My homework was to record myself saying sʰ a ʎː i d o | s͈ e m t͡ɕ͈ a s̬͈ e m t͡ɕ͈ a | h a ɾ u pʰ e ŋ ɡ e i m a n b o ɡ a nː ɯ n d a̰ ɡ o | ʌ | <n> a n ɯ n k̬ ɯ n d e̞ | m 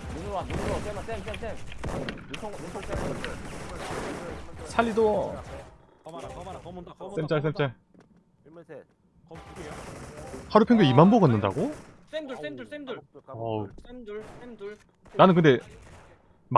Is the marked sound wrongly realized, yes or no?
no